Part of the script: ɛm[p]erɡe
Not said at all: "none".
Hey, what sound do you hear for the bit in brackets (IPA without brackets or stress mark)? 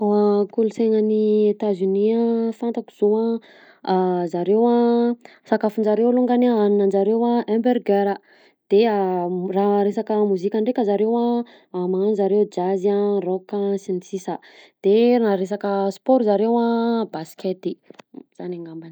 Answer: b